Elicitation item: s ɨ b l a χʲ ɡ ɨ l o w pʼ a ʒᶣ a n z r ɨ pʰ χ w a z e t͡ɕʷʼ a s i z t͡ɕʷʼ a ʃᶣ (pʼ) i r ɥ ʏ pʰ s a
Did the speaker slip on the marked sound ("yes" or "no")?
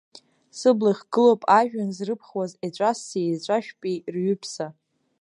no